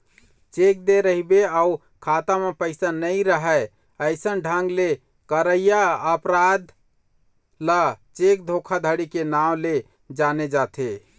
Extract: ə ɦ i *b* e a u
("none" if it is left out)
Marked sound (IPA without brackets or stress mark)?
b